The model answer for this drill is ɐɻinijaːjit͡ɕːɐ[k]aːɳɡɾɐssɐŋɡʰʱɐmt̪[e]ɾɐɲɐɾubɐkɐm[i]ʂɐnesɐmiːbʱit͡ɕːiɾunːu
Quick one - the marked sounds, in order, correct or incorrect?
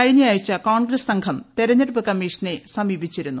correct, correct, incorrect

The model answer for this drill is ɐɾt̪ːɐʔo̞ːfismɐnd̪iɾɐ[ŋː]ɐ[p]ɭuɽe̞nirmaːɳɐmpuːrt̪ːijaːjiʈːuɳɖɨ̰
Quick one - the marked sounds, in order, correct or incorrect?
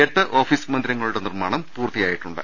correct, incorrect

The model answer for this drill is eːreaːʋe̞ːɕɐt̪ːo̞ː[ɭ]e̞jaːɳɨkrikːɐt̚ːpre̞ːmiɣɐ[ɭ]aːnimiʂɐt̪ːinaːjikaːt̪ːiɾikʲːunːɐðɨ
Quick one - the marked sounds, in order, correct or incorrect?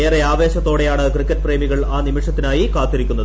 incorrect, correct

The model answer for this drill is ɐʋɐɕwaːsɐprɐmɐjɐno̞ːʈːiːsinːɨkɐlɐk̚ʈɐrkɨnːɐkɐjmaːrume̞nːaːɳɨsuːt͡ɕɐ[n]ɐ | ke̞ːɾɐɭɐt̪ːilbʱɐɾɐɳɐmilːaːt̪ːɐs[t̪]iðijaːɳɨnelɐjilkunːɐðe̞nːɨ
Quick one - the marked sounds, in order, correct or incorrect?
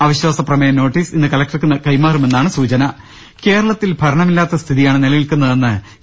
correct, incorrect

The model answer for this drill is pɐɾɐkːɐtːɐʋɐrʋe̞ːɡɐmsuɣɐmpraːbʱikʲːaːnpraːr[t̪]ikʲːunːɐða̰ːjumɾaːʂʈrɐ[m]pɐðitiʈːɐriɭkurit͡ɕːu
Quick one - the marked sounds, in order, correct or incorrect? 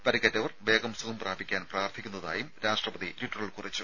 incorrect, incorrect

